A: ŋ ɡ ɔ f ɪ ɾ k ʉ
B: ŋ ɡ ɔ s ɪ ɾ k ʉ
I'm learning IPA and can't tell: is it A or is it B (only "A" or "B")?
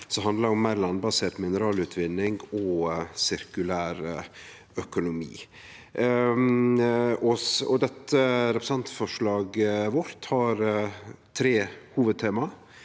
B